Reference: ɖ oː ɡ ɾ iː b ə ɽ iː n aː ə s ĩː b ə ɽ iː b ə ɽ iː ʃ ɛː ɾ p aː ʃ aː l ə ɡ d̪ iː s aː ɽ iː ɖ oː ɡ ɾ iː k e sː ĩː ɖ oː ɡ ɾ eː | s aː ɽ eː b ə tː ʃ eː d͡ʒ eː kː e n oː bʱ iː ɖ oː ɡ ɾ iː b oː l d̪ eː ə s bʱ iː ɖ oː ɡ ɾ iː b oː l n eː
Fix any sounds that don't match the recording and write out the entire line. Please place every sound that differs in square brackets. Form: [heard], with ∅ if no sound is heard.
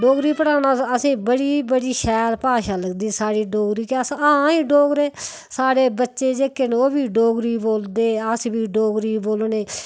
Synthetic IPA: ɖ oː ɡ ɾ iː [p] ə ɽ [aː] n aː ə s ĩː b ə ɽ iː b ə ɽ iː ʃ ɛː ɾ p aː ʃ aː l ə ɡ d̪ iː s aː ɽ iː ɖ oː ɡ ɾ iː k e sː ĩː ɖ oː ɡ ɾ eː | s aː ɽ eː b ə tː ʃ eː d͡ʒ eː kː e n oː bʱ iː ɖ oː ɡ ɾ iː b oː l d̪ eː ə s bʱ iː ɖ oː ɡ ɾ iː b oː l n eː